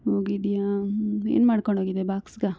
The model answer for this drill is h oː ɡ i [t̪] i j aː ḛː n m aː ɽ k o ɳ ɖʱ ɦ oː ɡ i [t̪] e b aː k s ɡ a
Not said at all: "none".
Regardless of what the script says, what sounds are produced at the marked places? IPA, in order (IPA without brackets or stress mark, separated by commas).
d̪, d̪